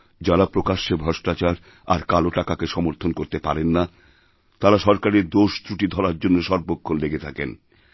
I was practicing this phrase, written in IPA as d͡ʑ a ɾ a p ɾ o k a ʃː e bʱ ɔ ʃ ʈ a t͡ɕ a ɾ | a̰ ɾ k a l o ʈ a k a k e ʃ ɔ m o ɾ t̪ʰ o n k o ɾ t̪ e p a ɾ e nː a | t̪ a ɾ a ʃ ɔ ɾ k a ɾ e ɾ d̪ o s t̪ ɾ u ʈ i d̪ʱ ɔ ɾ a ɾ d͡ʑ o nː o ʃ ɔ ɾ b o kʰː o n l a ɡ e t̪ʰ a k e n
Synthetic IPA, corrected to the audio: d͡ʑ a ɾ a p ɾ o k a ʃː e bʱ ɔ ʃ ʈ a t͡ɕ a ɾ | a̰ ɾ k a l o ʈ a k a k e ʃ ɔ m o ɾ t̪ʰ o n k o ɾ t̪ e p a ɾ e nː a | t̪ a ɾ a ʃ ɔ ɾ k a ɾ e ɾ d̪ o ʃ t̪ ɾ u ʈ i d̪ʱ ɔ ɾ a ɾ d͡ʑ o nː o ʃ ɔ ɾ b o kʰː o n l e ɡ e t̪ʰ a k e n

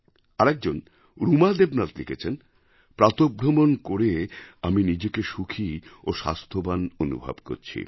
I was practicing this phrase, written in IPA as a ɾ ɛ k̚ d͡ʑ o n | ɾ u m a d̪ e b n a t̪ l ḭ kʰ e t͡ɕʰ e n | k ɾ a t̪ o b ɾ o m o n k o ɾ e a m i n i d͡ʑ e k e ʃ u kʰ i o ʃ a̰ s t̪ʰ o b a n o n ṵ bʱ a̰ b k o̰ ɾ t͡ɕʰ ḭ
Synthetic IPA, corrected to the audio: a ɾ ɛ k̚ d͡ʑ o n | ɾ u m a d̪ e b n a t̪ l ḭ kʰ e t͡ɕʰ e n | p ɾ a t̪ o b ɾ o m o n k o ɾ e a m i n i d͡ʑ e k e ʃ u kʰ i o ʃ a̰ s t̪ʰ o b a n o n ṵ bʱ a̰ b k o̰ ɾ t͡ɕʰ ḭ

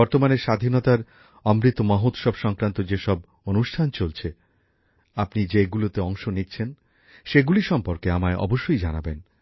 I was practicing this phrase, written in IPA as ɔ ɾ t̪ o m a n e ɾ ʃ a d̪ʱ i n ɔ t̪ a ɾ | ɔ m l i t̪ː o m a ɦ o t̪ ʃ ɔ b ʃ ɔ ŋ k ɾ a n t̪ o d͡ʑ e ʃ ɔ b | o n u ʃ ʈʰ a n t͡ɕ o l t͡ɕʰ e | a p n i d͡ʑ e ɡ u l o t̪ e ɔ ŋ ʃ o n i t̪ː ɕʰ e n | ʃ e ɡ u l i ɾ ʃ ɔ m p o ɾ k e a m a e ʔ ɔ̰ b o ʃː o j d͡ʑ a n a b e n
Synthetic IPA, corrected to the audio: ɔ ɾ t̪ o m a n e ɾ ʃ a d̪ʱ i n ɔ t̪ a ɾ | ɔ m ɾ i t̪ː o m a ɦ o t̪ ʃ ɔ b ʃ ɔ ŋ k ɾ a n t̪ o d͡ʑ e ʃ ɔ b | o n u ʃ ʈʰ a n t͡ɕ o l t͡ɕʰ e | a p n i d͡ʑ e ɡ u l o t̪ e ɔ ŋ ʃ o n i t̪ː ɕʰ e n | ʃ e ɡ u l i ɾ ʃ ɔ m p o ɾ k e a m a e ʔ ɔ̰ b o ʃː o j d͡ʑ a n a b e n

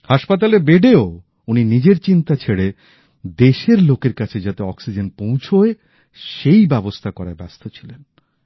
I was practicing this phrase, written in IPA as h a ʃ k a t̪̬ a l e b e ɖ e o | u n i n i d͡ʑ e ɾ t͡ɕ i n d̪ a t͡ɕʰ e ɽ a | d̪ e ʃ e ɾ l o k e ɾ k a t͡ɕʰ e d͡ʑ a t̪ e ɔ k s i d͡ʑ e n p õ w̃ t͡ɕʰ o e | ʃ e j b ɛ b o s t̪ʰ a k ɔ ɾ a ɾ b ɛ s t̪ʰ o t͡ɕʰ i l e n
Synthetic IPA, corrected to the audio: h a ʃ p a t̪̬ a l e b e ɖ e o | u n i n i d͡ʑ e ɾ t͡ɕ i n t̪ a t͡ɕʰ e ɽ e | d̪ e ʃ e ɾ l o k e ɾ k a t͡ɕʰ e d͡ʑ a t̪ e ɔ k s i d͡ʑ e n p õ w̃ t͡ɕʰ o e | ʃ e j b ɛ b o s t̪ʰ a k ɔ ɾ a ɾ b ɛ s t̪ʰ o t͡ɕʰ i l e n

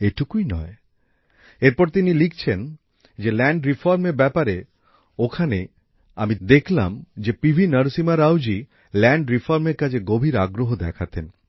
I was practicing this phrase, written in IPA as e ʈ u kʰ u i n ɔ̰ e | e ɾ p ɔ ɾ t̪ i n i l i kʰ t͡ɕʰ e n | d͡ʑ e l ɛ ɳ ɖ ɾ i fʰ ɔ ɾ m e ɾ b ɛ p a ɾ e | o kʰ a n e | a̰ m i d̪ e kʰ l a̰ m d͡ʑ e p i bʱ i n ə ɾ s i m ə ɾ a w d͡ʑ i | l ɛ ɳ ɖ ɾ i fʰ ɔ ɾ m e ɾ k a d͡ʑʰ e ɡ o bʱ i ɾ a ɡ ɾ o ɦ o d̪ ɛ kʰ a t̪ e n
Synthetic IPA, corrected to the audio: e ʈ u k u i n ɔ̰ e | e ɾ p ɔ ɾ t̪ i n i l i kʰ t͡ɕʰ e n | d͡ʑ e l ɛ ɳ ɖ ɾ i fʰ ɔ ɾ m e ɾ b ɛ p a ɾ e | o kʰ a n e | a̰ m i d̪ e kʰ l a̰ m d͡ʑ e p i bʱ i n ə ɾ s i m a ɾ a w d͡ʑ i | l ɛ ɳ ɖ ɾ i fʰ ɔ ɾ m e ɾ k a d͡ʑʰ e ɡ o bʱ i ɾ a ɡ ɾ o ɦ o d̪ ɛ kʰ a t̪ e n

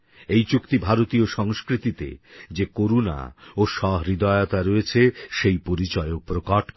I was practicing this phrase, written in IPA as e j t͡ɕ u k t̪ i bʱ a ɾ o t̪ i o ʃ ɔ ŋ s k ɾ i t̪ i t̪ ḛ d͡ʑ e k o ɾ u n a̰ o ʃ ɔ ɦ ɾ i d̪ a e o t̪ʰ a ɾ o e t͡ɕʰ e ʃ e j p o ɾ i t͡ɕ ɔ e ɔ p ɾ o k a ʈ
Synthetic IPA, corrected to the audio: e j t͡ɕ u k t̪ i bʱ a ɾ o t̪ i o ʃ ɔ ŋ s k ɾ i t̪ i t̪ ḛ d͡ʑ e k o ɾ u n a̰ o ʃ ɔ ɦ ɾ i d̪ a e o t̪ a ɾ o e t͡ɕʰ e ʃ e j p o ɾ i t͡ɕ ɔ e o p ɾ o k a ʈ

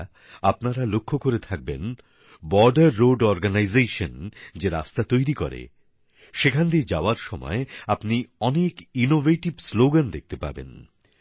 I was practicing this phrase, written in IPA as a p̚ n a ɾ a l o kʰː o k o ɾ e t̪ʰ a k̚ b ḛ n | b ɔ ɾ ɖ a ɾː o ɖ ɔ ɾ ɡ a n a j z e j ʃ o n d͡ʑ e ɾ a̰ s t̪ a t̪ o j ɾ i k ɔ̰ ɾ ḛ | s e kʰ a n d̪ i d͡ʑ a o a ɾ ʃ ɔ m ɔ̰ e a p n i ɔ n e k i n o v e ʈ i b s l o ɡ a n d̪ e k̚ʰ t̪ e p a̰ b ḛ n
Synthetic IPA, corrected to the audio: a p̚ n a ɾ a l o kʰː o k o ɾ e t̪ʰ a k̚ b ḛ n | b ɔ ɾ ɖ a ɾː o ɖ ɔ ɾ ɡ a n a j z e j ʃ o n d͡ʑ e ɾ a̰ s t̪ a t̪ o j ɾ i k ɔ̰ ɾ ḛ | ʃ e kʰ a n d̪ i d͡ʑ a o a ɾ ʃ ɔ m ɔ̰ e a p n i ɔ n e k i n o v e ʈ i b s l o ɡ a n d̪ e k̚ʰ t̪ e p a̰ b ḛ n

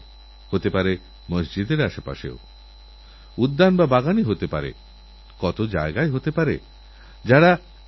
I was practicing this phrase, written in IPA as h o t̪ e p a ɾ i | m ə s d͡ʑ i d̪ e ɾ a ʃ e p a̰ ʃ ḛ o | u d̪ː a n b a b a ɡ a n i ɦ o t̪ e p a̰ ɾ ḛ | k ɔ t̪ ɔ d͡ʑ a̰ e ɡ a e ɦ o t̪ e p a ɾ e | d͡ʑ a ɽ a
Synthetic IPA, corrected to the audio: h o t̪ e p a ɾ e | m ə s d͡ʑ i d̪ e ɾ a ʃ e p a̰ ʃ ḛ o | u d̪ː a n b a b a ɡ a n i ɦ o t̪ e p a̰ ɾ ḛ | k ɔ t̪ o d͡ʑ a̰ e ɡ a e ɦ o t̪ e p a ɾ e | d͡ʑ a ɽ a

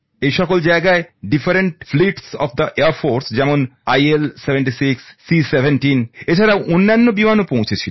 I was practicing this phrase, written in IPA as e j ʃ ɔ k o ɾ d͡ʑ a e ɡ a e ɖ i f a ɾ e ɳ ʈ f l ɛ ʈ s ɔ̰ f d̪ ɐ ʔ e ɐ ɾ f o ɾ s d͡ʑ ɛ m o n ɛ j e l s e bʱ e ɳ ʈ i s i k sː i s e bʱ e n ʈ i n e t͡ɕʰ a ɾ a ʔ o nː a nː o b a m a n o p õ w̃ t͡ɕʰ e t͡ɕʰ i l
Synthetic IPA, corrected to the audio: e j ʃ ɔ k o l d͡ʑ a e ɡ a e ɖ i f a ɾ e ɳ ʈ f l i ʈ s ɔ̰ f d̪ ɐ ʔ e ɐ ɾ f o ɾ s d͡ʑ ɛ m o n a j e l s e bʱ e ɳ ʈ i s i k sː i s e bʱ e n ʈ i n e t͡ɕʰ a ɾ a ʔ o nː a nː o b i m a n o p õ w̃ t͡ɕʰ e t͡ɕʰ i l

